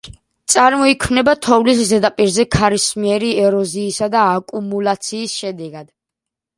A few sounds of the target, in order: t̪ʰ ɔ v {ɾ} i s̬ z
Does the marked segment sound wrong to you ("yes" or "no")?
yes